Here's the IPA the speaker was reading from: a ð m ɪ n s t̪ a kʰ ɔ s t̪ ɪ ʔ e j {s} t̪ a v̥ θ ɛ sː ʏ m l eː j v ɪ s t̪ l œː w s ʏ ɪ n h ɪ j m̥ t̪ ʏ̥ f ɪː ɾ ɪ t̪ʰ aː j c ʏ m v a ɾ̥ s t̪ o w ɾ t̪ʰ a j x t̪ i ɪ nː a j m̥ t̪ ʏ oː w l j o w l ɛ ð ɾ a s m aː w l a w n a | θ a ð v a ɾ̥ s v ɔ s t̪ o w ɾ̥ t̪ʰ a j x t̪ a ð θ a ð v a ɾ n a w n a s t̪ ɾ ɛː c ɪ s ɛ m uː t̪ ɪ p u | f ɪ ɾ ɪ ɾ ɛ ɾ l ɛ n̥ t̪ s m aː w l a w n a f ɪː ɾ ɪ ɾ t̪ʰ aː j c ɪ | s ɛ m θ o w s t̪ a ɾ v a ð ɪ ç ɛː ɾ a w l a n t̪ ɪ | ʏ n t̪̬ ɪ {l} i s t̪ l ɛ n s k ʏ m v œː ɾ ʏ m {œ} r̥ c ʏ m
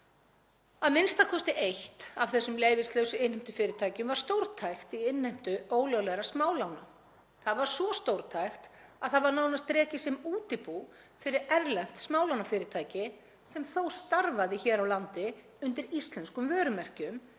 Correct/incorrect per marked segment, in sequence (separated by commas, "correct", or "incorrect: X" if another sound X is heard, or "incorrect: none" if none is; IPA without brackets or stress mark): incorrect: h, incorrect: ɾ, incorrect: ɛ